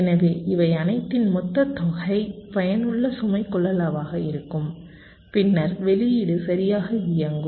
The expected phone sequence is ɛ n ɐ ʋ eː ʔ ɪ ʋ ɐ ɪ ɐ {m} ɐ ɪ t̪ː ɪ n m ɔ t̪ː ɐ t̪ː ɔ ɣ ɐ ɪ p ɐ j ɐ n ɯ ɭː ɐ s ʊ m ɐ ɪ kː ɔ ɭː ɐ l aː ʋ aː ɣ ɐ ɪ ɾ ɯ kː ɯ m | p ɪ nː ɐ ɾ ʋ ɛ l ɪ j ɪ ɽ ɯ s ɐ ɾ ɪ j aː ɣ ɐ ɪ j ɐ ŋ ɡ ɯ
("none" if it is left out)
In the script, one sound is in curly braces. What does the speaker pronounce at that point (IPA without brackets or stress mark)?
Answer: n